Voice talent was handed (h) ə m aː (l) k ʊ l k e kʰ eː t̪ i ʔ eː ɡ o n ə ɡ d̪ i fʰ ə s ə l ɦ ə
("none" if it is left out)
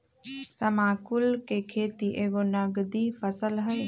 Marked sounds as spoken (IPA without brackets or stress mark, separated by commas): s, none